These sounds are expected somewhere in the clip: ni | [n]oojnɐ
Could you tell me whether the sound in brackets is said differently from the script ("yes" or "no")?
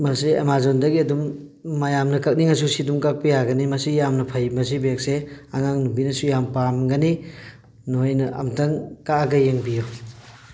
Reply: no